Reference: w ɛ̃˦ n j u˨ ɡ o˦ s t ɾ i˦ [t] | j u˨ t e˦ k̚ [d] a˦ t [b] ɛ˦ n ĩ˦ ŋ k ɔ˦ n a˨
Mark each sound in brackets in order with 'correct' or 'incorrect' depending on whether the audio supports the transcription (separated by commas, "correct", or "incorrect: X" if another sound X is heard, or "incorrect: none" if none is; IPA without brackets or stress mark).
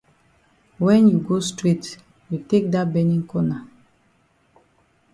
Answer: correct, correct, correct